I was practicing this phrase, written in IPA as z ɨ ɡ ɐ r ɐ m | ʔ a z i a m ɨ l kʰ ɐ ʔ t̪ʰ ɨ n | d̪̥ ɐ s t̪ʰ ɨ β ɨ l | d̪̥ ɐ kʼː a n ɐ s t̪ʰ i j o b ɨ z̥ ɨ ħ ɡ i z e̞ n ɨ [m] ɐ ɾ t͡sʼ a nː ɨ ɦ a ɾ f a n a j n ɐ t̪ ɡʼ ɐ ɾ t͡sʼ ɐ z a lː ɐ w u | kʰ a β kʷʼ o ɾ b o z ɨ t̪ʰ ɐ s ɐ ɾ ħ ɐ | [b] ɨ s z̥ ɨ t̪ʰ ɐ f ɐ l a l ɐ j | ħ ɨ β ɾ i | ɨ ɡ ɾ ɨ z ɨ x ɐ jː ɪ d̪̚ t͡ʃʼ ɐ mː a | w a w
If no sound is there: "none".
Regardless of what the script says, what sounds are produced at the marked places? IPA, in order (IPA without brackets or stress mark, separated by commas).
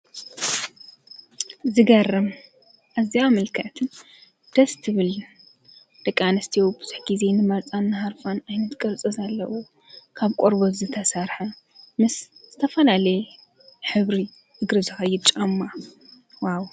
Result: m, m